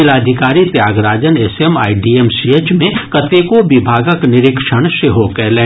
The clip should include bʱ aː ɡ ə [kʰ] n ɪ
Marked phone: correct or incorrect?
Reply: incorrect